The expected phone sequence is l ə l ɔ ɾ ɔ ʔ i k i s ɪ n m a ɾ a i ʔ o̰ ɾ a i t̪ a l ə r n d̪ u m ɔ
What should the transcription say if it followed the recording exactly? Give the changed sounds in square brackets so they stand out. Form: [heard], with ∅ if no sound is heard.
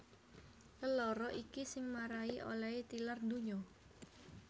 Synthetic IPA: l ə l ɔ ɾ ɔ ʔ i k i s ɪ [ŋ] m a ɾ a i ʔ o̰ [l] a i t̪ [i] l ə r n d̪ u [ɲ] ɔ